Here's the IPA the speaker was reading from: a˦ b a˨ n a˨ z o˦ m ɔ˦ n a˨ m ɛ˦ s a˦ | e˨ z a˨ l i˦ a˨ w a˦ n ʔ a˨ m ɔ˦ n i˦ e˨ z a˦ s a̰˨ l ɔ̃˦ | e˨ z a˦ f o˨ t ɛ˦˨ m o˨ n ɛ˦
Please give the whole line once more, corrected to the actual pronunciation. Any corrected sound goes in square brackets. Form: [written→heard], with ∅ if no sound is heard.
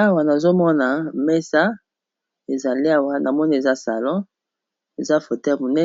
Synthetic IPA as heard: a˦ [b→w] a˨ n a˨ z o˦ m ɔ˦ n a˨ m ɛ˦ s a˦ | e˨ z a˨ l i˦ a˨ w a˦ n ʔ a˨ m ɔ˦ n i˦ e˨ z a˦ s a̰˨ l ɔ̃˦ | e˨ z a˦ f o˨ t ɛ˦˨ m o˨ n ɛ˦